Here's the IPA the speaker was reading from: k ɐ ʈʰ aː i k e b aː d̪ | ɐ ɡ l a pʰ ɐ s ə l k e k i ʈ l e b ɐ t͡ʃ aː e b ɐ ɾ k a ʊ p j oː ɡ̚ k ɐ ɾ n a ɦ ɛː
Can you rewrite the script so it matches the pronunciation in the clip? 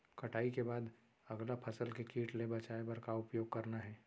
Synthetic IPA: k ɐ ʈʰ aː i k e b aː d̪ | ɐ ɡ l a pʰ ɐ s ə l k e k iː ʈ l e b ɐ t͡ʃ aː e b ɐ ɾ k a ʊ p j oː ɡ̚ k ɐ ɾ n a ɦ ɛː